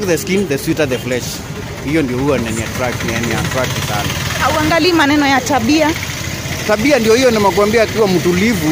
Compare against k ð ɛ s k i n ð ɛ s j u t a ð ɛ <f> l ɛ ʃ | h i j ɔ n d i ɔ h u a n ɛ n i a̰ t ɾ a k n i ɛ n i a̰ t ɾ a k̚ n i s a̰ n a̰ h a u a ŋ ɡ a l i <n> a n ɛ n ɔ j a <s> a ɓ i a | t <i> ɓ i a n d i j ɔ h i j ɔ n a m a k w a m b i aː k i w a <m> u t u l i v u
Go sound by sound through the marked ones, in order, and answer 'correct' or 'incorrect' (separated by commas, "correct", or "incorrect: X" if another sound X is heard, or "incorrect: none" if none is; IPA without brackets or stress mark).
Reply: correct, incorrect: m, incorrect: t, incorrect: a, correct